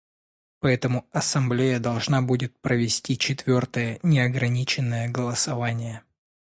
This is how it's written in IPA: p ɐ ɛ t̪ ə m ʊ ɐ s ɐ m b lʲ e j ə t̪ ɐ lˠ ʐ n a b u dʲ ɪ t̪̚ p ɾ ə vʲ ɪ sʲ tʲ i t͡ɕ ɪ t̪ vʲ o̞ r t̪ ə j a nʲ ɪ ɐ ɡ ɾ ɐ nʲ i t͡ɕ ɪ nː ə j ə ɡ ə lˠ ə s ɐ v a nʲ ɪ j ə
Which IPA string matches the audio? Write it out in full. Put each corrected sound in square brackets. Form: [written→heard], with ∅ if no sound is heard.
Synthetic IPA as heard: p ɐ ɛ t̪ ə m ʊ ɐ s ɐ m b lʲ e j ə [t̪→d̪] ɐ lˠ ʐ n a b u dʲ ɪ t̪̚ p ɾ ə vʲ ɪ sʲ tʲ i t͡ɕ ɪ t̪ vʲ o̞ r t̪ ə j [a→ə] nʲ ɪ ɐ ɡ ɾ ɐ nʲ i t͡ɕ ɪ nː ə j ə ɡ ə lˠ ə s ɐ v a nʲ ɪ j ə